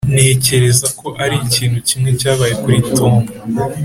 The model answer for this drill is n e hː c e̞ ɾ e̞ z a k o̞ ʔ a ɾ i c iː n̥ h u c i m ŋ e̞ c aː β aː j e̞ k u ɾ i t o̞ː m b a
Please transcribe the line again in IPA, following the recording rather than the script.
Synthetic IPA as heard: n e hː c e̞ ɾ e̞ z a k o̞ ʔ a ɾ i c iː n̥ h u c i m ŋ e̞ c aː β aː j e̞ k u ɾ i t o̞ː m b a